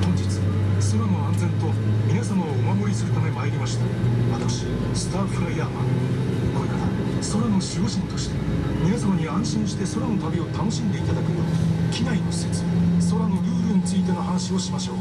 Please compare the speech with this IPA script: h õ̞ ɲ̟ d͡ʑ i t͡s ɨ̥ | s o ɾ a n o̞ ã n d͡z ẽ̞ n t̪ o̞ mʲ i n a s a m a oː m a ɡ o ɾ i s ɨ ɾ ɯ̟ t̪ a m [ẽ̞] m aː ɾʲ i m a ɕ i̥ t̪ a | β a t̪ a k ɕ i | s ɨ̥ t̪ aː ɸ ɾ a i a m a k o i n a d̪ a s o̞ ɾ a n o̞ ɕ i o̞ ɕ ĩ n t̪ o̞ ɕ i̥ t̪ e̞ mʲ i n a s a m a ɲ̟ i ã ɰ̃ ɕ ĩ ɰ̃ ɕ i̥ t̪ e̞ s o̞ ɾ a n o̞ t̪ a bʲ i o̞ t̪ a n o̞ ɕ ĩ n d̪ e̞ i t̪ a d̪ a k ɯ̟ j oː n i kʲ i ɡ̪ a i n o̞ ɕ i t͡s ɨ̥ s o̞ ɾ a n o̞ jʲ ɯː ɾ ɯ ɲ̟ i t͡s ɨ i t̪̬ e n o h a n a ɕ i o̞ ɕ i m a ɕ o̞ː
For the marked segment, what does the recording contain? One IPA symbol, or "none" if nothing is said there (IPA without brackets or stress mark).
e̞